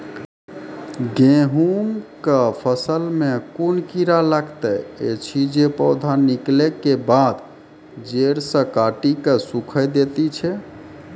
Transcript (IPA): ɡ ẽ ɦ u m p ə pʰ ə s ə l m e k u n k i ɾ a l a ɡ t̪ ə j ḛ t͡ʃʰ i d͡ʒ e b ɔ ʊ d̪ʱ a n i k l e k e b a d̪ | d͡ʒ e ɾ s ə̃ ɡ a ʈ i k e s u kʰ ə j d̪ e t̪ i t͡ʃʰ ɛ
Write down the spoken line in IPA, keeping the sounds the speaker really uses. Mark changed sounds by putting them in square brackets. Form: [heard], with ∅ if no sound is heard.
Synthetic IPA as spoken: ɡ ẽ ɦ u m [k] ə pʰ ə s ə l m e k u n k i ɾ a l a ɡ t̪ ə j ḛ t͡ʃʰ i d͡ʒ e [p] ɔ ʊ d̪ʱ a n i k l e k e b a d̪ | d͡ʒ e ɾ s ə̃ [k] a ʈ i k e s u kʰ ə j d̪ e t̪ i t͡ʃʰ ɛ